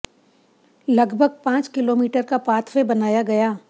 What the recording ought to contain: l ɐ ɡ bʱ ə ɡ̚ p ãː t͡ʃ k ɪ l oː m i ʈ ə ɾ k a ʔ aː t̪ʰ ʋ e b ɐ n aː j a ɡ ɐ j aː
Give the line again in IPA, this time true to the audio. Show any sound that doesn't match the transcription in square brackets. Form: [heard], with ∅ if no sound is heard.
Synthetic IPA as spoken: l ɐ ɡ bʱ ə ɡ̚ p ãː t͡ʃ k ɪ l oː m [iː] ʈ ə ɾ k a [p] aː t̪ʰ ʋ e b ɐ n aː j a ɡ ɐ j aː

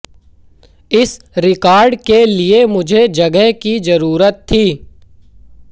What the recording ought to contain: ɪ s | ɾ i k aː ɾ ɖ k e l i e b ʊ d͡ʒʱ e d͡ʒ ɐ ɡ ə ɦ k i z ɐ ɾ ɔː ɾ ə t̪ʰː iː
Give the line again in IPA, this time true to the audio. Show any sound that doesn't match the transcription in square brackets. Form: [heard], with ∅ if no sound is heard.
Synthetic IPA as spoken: ɪ s | ɾ [ɪ] k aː ɾ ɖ k e l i e [m] ʊ d͡ʒʱ e d͡ʒ ɐ ɡ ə ɦ k i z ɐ ɾ [uː] ɾ ə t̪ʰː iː

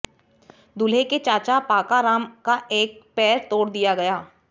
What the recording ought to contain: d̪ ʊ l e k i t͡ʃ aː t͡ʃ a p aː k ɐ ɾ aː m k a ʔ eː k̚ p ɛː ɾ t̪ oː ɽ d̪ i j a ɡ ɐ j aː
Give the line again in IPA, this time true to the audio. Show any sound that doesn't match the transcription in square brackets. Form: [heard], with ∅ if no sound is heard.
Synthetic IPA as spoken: d̪ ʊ l e k [e] t͡ʃ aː t͡ʃ a p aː k [a] ɾ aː m k a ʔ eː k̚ p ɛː ɾ t̪ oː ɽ d̪ i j a ɡ ɐ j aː

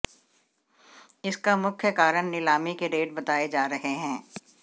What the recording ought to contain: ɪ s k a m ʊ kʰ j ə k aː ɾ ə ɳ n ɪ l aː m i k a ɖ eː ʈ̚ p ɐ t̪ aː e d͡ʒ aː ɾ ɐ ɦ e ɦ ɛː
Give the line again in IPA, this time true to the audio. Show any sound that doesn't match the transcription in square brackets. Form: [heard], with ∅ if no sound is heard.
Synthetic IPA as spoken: ɪ s k a m ʊ kʰ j ə k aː ɾ ə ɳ n ɪ l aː m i k [e] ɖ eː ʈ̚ [b] ɐ t̪ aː e d͡ʒ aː ɾ ɐ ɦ e ɦ [ɛ̃ː]

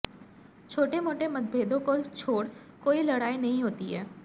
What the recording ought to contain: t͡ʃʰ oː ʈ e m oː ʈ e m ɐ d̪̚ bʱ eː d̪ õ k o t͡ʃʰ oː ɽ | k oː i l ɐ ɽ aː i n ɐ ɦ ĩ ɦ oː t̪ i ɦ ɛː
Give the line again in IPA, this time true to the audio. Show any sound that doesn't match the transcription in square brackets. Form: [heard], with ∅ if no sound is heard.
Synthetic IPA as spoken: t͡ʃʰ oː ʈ e m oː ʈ e m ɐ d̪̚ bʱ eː d̪ õ k o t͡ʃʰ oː ɽ | k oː i l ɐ ɽ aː i n ɐ ɦ ĩ ɦ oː t̪ i ɦ ɛː

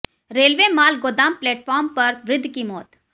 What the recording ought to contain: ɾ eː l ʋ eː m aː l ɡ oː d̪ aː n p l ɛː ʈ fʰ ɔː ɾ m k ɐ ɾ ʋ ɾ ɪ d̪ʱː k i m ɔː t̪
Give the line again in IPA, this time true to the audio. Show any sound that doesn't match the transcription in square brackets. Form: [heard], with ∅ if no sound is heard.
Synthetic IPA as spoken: ɾ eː l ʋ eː m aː l ɡ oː d̪ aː [m] p l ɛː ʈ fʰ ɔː ɾ m [p] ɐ ɾ ʋ ɾ ɪ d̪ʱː k i m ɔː t̪

